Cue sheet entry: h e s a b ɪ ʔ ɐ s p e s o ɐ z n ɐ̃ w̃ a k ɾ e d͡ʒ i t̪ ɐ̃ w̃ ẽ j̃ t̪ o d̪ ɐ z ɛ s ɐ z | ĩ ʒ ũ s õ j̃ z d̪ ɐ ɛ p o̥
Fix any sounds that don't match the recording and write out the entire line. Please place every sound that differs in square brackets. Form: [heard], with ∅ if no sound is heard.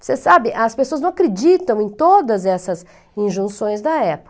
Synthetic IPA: [s] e s a b ɪ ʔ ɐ s p e s o ɐ z n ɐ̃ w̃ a k ɾ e d͡ʒ i t̪ ɐ̃ w̃ ẽ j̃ t̪ o d̪ ɐ z ɛ s ɐ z | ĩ ʒ ũ s õ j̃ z d̪ ɐ ɛ p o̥